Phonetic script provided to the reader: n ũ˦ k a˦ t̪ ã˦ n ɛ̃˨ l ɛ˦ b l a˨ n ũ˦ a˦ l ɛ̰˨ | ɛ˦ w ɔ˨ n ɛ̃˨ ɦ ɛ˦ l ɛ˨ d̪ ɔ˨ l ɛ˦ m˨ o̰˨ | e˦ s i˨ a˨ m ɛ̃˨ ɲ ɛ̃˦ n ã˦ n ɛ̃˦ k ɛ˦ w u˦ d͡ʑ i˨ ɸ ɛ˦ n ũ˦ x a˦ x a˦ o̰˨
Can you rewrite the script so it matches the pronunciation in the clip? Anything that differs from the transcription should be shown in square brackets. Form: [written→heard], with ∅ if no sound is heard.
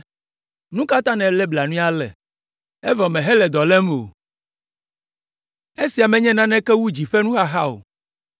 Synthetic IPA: n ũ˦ k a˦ t̪ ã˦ n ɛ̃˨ l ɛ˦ b l a˨ n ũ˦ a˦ l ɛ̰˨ | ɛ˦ [w→v] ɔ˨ [n→m] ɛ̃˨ ɦ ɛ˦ l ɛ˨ d̪ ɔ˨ l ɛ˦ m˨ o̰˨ | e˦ s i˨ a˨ m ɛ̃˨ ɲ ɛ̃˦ n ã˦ n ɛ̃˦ k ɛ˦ w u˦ d͡ʑ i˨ ɸ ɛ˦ n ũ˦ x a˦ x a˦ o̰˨